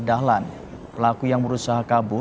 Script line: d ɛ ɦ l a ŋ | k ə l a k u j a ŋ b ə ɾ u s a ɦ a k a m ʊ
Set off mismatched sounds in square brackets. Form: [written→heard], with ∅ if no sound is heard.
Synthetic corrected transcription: d [ɛ→a] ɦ l a [ŋ→n] | [k→p] ə l a k u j a ŋ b ə ɾ u s a ɦ a k a [m→b] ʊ